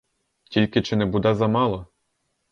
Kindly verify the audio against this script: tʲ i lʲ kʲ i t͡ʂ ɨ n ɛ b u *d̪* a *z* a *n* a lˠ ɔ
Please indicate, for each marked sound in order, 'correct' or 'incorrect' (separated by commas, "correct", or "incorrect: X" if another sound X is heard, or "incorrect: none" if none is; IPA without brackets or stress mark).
correct, correct, incorrect: m